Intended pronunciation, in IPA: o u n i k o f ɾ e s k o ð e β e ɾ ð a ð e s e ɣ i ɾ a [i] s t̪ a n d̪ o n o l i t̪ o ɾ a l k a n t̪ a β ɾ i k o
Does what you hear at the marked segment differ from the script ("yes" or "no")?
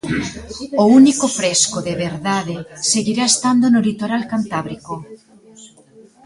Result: yes